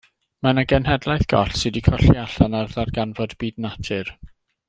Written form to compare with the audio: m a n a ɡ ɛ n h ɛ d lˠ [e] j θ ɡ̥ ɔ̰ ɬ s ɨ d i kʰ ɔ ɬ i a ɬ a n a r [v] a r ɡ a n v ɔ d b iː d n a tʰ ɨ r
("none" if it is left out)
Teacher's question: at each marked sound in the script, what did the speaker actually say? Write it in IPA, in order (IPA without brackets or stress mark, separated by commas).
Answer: a, ð